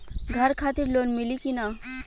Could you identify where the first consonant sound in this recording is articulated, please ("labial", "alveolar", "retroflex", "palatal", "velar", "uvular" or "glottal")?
velar